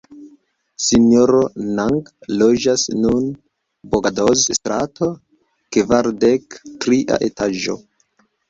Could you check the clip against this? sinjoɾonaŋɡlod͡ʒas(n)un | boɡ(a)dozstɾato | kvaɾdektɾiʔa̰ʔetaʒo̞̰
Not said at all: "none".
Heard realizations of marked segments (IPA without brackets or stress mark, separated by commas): n, a